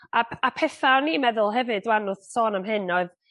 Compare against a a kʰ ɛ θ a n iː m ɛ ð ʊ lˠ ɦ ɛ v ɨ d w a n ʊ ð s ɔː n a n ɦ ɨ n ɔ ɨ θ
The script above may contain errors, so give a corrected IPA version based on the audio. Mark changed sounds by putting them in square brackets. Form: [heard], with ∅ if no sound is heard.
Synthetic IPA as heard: a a [pʰ] ɛ θ a n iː m ɛ ð ʊ lˠ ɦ ɛ v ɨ d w a n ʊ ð s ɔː n a [m] ɦ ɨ n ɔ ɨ [ð]